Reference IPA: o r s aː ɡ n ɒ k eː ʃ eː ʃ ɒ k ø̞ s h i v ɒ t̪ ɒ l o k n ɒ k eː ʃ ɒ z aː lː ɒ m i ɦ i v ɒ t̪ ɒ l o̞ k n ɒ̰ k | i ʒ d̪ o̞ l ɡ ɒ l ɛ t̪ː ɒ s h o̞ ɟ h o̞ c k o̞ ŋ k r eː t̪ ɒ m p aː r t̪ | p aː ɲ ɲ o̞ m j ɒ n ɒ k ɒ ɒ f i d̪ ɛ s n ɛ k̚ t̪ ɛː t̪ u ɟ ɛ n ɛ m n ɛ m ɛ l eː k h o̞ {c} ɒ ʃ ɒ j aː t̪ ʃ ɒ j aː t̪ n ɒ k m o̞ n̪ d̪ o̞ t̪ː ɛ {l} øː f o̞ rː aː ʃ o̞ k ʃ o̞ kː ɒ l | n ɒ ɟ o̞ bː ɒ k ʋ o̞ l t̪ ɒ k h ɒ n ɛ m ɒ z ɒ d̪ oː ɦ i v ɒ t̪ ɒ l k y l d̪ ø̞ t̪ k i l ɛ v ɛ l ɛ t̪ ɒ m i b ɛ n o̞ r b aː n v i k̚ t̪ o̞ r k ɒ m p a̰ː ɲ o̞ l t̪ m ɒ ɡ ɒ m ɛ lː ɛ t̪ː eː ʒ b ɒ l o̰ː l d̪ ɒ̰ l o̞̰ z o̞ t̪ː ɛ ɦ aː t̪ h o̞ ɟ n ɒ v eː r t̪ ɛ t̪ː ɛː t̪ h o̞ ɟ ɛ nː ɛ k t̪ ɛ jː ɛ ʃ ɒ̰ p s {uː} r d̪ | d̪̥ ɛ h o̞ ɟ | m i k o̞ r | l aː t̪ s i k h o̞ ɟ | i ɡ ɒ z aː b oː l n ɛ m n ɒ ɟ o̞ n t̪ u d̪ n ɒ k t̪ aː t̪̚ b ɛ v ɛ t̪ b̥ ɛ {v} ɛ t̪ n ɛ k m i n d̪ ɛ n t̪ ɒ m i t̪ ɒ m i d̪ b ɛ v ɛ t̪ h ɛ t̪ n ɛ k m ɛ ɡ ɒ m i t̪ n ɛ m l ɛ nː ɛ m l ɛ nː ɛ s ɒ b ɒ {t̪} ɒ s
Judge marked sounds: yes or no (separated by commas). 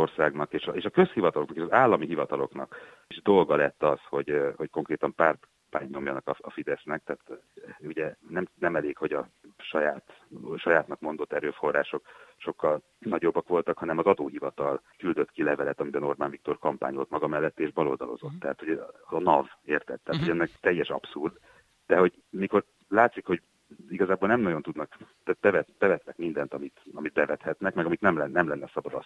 no, no, no, yes, no